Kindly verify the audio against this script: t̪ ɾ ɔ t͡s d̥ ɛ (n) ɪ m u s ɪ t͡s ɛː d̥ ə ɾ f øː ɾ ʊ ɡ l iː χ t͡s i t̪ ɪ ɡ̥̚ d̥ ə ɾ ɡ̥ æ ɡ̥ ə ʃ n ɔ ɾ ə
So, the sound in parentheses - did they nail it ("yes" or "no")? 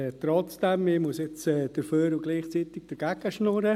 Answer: no